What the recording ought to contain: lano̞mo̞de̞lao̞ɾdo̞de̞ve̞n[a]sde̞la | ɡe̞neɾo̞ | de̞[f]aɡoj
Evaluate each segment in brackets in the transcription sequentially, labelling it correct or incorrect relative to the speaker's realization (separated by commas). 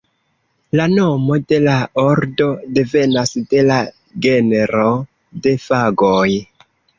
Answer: correct, correct